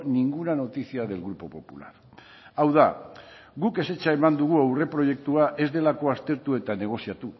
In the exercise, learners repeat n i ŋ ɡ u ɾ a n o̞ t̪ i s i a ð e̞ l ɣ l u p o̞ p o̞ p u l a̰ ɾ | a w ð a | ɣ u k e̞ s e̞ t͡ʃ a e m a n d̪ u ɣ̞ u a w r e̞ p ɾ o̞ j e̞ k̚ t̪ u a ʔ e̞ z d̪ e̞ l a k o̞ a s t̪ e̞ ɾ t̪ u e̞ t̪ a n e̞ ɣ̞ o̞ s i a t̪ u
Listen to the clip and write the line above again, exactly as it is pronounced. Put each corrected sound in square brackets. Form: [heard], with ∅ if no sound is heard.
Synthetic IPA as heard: n i ŋ ɡ u ɾ a n o̞ t̪ i s i a ð e̞ l ɣ [ɾ] u p o̞ p o̞ p u l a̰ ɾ | a w ð a | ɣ u k e̞ s e̞ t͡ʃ a e m a n d̪ u ɣ̞ u a w r e̞ p ɾ o̞ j e̞ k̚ t̪ u a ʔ e̞ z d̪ e̞ l a k o̞ a s t̪ e̞ ɾ t̪ u e̞ t̪ a n e̞ ɣ̞ o̞ s i a t̪ u